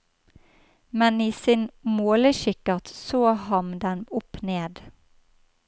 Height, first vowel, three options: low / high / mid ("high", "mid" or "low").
mid